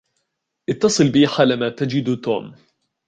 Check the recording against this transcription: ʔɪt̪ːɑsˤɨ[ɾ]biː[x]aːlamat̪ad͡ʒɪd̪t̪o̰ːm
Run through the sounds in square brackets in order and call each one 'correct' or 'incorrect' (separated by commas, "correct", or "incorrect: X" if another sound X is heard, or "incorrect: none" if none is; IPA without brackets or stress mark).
incorrect: l, incorrect: ħ